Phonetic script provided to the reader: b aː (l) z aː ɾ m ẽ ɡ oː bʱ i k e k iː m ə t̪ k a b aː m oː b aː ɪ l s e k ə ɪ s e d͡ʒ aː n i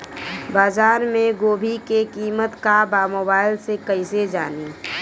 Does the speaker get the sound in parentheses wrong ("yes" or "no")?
yes